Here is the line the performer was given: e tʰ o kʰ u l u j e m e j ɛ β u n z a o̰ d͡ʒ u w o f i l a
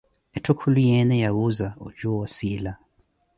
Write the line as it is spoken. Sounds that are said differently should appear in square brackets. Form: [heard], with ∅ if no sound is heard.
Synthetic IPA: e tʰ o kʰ u l u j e [n] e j [a] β u [∅] z a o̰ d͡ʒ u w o [s] i l a